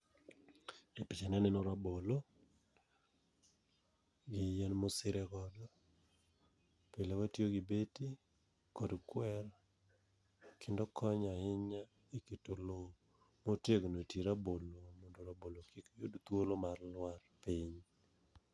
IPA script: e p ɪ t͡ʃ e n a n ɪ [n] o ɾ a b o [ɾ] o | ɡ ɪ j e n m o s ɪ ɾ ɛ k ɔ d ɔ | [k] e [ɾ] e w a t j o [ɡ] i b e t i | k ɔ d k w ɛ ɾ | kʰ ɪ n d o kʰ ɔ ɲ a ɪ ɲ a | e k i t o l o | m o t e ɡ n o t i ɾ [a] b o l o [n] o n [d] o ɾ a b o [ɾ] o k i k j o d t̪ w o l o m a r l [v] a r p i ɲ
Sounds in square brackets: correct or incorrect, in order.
correct, incorrect: l, incorrect: p, incorrect: l, correct, correct, incorrect: m, correct, incorrect: l, incorrect: w

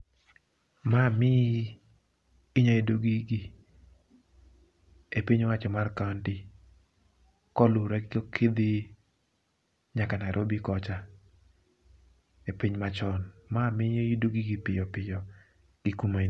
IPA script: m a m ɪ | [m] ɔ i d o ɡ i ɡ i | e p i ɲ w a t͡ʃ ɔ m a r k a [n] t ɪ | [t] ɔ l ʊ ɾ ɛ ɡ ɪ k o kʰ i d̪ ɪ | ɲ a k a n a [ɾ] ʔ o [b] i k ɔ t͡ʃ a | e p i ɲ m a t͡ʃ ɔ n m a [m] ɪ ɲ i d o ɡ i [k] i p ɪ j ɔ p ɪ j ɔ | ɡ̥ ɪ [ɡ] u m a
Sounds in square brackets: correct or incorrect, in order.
incorrect: ɲ, correct, incorrect: k, correct, correct, correct, incorrect: ɡ, incorrect: k

